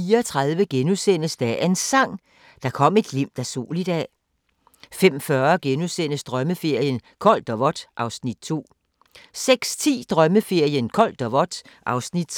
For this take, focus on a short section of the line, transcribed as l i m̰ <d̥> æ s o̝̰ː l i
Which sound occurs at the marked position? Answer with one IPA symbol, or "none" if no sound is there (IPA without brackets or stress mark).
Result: d̥